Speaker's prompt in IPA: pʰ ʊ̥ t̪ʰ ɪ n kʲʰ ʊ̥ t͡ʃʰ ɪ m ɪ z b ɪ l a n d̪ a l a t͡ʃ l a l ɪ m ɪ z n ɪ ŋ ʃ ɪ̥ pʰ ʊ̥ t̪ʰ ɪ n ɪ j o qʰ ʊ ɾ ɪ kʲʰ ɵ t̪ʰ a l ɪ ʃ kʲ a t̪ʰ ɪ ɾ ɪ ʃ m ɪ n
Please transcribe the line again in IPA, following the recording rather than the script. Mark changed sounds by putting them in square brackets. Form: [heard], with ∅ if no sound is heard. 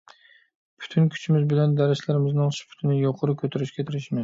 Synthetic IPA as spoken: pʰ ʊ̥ t̪ʰ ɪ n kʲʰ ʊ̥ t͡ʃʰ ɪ m ɪ z b ɪ l a n d̪ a [ɾ] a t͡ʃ l a [ɾ] ɪ m ɪ z n ɪ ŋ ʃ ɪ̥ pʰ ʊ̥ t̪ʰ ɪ n ɪ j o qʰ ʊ ɾ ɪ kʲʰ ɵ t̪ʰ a [ɾ] ɪ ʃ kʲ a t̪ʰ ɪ ɾ ɪ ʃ m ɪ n